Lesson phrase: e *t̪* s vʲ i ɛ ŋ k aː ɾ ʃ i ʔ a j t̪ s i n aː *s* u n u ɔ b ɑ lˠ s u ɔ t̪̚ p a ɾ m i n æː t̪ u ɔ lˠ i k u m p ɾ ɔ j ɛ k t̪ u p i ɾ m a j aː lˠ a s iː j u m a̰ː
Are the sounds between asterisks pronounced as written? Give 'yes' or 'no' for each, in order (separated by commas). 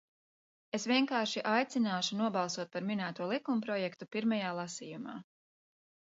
no, no